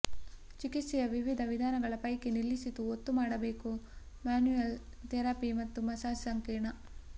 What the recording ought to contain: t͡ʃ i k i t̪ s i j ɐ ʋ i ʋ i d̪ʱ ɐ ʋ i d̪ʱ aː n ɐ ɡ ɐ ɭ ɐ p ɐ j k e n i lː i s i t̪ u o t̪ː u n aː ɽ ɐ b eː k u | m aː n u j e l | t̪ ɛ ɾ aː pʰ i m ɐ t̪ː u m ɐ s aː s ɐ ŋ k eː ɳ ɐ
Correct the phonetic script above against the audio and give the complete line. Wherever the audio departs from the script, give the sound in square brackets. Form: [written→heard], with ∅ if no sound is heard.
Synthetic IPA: t͡ʃ i k i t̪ s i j ɐ ʋ i ʋ i d̪ʱ ɐ ʋ i d̪ʱ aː n ɐ ɡ ɐ ɭ ɐ p ɐ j k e n i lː i s i t̪ u o t̪ː u [n→m] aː ɽ ɐ b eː k u | m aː n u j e l | t̪ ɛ ɾ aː [pʰ→p] i m ɐ t̪ː u m ɐ s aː s ɐ ŋ k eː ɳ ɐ

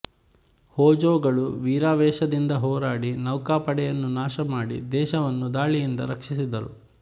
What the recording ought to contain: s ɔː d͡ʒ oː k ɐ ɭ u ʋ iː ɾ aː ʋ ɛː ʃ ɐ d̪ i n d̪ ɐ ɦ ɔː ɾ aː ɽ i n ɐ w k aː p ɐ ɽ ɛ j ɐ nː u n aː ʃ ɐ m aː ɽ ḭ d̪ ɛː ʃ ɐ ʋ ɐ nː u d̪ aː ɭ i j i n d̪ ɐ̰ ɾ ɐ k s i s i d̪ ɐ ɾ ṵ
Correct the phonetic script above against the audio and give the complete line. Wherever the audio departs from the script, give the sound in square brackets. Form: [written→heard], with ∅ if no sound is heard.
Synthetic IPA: [s→h] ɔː d͡ʒ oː [k→ɡ] ɐ ɭ u ʋ iː ɾ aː ʋ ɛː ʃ ɐ d̪ i n d̪ ɐ ɦ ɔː ɾ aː ɽ i n ɐ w k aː p ɐ ɽ ɛ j ɐ nː u n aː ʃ ɐ m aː ɽ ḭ d̪ ɛː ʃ ɐ ʋ ɐ nː u d̪ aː ɭ i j i n d̪ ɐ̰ ɾ ɐ k [s→ʂ] i s i d̪ ɐ ɾ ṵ

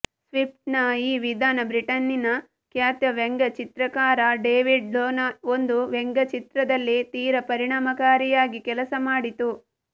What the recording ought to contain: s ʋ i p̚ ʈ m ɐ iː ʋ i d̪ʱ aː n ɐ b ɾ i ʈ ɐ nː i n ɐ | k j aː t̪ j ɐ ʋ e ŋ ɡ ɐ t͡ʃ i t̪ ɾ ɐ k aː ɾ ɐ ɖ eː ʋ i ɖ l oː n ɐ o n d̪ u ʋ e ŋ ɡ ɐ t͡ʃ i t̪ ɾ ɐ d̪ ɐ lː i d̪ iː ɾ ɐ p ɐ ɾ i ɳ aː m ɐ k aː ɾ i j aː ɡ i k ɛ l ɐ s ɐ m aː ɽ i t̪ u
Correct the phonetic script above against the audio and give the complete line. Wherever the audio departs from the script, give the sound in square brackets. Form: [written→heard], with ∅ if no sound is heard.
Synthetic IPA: s ʋ i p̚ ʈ [m→n] ɐ iː ʋ i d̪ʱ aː n ɐ b ɾ i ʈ ɐ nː i n ɐ | k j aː t̪ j ɐ ʋ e ŋ ɡ ɐ t͡ʃ i t̪ ɾ ɐ k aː ɾ ɐ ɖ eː ʋ i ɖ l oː n ɐ o n d̪ u ʋ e ŋ ɡ ɐ t͡ʃ i t̪ ɾ ɐ d̪ ɐ lː i [d̪→t̪] iː ɾ ɐ p ɐ ɾ i ɳ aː m ɐ k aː ɾ i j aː ɡ i k ɛ l ɐ s ɐ m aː ɽ i t̪ u

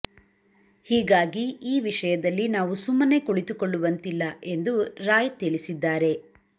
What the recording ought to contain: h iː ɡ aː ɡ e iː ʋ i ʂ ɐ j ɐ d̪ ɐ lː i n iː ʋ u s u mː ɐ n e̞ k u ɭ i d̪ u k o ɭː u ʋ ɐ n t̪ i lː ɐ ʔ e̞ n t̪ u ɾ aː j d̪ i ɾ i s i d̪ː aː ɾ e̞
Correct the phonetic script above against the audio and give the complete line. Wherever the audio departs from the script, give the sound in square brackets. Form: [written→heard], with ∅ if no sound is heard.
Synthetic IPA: h iː ɡ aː ɡ [e→i] iː ʋ i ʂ ɐ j ɐ d̪ ɐ lː i n [iː→aː] ʋ u s u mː ɐ n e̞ k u ɭ i [d̪→t̪] u k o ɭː u ʋ ɐ n t̪ i lː ɐ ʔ e̞ n [t̪→d̪] u ɾ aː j [d̪→t̪] i [ɾ→ɭ] i s i d̪ː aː ɾ e̞

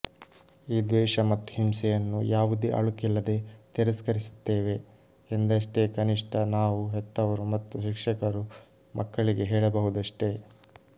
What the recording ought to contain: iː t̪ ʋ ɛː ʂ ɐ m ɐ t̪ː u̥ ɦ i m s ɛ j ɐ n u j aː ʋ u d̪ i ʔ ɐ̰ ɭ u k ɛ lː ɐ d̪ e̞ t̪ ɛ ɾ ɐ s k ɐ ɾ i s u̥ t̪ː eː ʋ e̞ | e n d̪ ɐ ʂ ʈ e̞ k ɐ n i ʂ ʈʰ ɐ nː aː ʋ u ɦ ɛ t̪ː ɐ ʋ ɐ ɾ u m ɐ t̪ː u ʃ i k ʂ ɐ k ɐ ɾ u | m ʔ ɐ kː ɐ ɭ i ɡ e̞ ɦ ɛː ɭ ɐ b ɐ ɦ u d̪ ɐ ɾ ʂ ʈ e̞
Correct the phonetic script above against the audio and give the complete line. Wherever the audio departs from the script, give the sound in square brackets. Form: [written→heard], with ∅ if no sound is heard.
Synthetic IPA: iː [t̪→d̪] ʋ ɛː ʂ ɐ m ɐ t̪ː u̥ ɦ i m s ɛ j ɐ [n→nː] u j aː ʋ u d̪ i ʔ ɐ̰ ɭ u k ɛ lː ɐ d̪ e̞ t̪ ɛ ɾ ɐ s k ɐ ɾ i s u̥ t̪ː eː ʋ e̞ | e n d̪ ɐ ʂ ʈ e̞ k ɐ n i ʂ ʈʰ ɐ [nː→n] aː ʋ u ɦ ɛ t̪ː ɐ ʋ ɐ ɾ u m ɐ t̪ː u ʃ i k ʂ ɐ k ɐ ɾ u | m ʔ ɐ kː ɐ ɭ i ɡ e̞ ɦ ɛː ɭ ɐ b ɐ ɦ u d̪ ɐ [ɾ→∅] ʂ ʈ e̞

